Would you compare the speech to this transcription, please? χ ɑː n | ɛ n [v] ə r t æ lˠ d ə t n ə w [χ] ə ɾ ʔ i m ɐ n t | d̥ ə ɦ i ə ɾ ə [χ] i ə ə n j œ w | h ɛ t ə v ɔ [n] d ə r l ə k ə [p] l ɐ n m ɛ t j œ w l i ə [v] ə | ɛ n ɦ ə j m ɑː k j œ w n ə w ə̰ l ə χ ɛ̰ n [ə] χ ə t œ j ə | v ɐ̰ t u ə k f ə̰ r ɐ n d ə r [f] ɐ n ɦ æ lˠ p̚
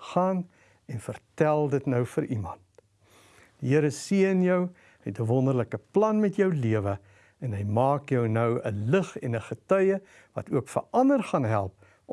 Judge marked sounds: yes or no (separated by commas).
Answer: no, no, no, yes, yes, yes, yes, no